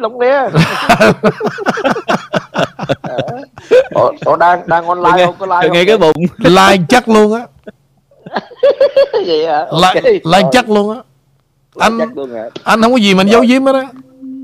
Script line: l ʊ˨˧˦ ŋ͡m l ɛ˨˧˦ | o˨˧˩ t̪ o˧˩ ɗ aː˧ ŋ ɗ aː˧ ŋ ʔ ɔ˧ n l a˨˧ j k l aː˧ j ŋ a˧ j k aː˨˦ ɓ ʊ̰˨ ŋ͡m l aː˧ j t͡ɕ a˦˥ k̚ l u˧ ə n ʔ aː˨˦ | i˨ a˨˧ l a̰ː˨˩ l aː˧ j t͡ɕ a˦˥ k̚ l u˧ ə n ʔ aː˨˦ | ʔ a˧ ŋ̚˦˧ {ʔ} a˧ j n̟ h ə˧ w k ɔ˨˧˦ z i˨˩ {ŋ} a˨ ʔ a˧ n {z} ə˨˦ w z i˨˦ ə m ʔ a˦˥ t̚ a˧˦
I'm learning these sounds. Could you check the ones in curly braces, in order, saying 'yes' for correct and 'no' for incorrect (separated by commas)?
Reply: yes, no, yes